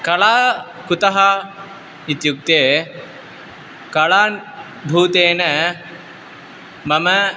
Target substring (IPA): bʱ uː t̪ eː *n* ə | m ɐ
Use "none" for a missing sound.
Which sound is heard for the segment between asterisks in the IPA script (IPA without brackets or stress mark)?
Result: n